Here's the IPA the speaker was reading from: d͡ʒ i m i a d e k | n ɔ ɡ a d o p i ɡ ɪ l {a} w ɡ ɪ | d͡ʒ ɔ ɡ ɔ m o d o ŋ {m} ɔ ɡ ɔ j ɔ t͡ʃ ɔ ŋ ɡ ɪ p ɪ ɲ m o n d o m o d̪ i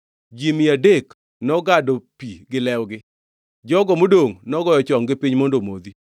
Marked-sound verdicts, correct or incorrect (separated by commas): incorrect, incorrect